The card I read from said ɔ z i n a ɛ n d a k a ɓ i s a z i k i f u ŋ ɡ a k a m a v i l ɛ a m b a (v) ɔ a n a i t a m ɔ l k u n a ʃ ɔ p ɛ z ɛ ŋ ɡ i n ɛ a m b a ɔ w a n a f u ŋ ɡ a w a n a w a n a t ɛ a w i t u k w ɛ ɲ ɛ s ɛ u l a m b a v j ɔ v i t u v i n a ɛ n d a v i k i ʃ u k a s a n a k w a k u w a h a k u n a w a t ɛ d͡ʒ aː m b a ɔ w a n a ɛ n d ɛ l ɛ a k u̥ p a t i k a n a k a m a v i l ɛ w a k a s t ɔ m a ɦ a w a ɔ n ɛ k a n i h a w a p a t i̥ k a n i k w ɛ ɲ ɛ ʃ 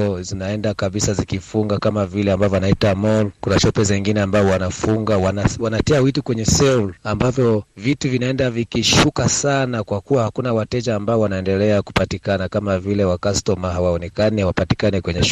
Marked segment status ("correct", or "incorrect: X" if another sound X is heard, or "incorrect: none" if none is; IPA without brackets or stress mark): correct